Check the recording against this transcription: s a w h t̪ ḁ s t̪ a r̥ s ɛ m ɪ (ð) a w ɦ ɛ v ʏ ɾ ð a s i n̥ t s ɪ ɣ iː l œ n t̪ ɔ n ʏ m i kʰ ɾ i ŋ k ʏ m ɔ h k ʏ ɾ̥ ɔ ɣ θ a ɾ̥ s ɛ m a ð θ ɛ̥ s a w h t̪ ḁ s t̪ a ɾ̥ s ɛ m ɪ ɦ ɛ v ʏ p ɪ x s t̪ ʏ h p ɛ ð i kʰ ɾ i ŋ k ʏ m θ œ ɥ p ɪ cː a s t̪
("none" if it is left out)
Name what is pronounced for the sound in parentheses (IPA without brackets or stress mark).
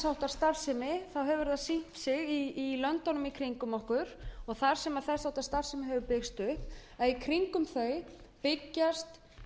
θ